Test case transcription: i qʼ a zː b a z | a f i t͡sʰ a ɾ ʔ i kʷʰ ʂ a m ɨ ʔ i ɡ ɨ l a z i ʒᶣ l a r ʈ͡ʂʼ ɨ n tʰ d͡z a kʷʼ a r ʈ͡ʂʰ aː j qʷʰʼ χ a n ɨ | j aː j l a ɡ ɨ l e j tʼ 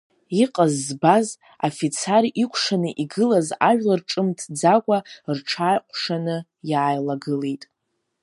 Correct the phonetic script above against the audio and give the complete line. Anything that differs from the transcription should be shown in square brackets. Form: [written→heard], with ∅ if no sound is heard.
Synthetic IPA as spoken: i qʼ a zː b a z | a f i t͡sʰ a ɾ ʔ i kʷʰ ʂ a [m→n] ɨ ʔ i ɡ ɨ l a z [i→a] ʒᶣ l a r ʈ͡ʂʼ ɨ [n→m] tʰ d͡z a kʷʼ a r ʈ͡ʂʰ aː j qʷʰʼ [χ→ʂ] a n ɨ | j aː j l a ɡ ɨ l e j tʼ